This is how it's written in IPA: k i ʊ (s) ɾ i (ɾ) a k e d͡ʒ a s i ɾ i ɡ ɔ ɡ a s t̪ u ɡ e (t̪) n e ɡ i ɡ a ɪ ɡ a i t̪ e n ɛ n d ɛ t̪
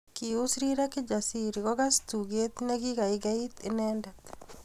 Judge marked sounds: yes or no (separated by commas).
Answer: yes, yes, yes